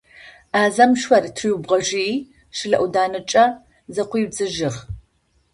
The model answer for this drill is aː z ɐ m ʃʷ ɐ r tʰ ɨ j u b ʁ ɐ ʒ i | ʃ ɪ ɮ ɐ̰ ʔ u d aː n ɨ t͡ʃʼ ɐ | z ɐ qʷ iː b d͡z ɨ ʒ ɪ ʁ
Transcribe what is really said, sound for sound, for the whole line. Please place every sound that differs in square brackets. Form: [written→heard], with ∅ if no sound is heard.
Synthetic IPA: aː z ɐ m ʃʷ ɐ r tʰ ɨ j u b ʁ ɐ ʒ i | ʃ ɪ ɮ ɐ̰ ʔ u d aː n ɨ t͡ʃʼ ɐ | z ɐ qʷ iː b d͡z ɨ ʒ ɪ ʁ